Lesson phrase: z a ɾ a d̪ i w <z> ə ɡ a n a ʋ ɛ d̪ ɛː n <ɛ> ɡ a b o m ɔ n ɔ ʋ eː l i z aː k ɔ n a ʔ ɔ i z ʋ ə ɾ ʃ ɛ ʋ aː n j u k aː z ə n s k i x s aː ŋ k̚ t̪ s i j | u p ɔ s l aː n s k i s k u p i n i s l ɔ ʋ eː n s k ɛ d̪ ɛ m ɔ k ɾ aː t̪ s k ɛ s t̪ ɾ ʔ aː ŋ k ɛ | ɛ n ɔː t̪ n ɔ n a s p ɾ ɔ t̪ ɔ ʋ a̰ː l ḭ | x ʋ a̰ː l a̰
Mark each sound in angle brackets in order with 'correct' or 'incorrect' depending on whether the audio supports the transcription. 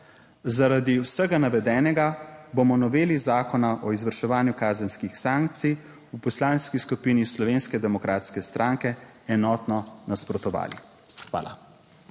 incorrect: s, correct

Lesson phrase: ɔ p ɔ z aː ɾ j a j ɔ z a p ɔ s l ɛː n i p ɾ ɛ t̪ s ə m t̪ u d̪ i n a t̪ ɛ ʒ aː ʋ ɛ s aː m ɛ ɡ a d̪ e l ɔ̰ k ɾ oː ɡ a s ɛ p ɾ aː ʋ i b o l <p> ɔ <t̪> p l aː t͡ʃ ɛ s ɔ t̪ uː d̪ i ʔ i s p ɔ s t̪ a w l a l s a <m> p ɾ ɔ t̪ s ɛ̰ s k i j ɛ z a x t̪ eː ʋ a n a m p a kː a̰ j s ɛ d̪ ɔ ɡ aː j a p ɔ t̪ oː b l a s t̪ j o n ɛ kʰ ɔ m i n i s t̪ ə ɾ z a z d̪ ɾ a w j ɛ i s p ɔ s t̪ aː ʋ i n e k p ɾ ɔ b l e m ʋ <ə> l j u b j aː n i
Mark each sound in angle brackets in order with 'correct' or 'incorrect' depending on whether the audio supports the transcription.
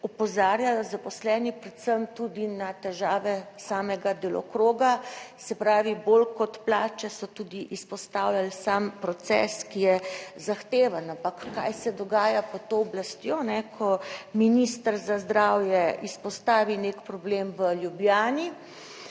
incorrect: k, correct, correct, correct

